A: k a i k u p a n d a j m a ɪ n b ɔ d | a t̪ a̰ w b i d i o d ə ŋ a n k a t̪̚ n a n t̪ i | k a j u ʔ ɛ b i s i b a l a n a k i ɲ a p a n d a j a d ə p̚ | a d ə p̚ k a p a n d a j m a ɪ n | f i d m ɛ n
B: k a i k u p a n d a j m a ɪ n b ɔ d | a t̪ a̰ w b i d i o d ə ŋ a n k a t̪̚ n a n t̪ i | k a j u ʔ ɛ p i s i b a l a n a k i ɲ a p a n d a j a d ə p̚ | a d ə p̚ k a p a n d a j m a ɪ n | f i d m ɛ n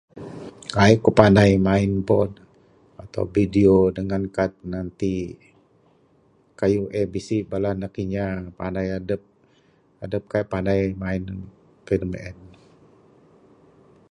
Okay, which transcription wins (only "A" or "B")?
A